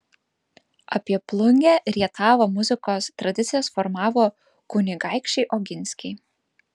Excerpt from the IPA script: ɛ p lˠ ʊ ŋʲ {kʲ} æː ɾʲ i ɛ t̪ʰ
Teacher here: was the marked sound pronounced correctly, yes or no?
no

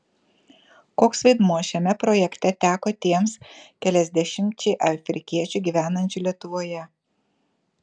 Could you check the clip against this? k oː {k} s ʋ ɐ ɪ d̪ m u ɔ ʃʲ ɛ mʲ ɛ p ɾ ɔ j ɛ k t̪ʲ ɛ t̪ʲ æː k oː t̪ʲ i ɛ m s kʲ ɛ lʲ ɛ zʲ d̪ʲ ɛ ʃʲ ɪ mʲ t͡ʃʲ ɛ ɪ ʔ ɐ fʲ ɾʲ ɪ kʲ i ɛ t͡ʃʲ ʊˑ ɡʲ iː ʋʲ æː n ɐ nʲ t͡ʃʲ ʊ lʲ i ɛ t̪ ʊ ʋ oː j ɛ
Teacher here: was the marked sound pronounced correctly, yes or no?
yes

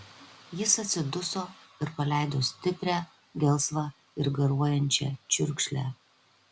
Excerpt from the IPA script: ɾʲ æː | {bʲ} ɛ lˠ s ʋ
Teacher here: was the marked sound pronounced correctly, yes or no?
no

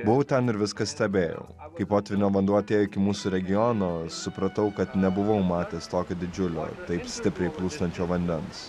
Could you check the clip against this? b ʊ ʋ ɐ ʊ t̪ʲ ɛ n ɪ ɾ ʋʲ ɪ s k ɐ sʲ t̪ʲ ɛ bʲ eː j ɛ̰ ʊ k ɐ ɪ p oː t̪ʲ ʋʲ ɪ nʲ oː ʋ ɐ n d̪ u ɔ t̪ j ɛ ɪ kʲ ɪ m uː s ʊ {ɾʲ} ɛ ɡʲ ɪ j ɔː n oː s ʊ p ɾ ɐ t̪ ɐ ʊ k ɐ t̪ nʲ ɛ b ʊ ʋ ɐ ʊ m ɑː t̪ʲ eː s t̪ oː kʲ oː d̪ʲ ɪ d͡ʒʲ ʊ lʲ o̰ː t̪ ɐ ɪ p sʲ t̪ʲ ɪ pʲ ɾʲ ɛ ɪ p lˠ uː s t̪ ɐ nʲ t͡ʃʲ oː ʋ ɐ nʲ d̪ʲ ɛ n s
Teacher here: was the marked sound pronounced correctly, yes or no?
yes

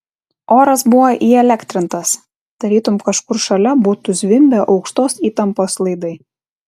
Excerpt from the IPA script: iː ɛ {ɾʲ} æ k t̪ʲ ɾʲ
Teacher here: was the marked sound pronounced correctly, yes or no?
no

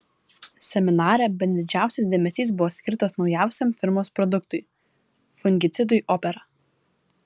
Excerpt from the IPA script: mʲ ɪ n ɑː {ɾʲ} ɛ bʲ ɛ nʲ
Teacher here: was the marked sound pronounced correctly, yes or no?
yes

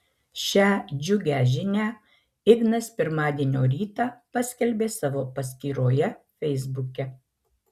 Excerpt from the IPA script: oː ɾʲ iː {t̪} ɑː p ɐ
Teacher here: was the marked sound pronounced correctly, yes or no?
yes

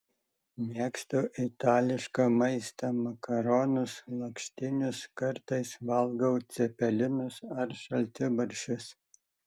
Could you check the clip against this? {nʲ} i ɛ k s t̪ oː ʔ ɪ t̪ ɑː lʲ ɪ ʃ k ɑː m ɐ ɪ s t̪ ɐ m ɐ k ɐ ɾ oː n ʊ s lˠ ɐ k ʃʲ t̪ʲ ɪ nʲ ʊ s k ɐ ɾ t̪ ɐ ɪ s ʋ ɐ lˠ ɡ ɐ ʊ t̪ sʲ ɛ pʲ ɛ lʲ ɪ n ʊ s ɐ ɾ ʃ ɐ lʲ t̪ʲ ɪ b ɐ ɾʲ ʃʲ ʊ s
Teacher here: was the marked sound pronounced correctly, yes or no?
no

